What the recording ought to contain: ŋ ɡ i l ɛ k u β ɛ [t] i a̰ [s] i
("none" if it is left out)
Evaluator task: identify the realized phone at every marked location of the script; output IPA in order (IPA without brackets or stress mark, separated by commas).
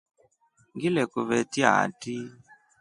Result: t, t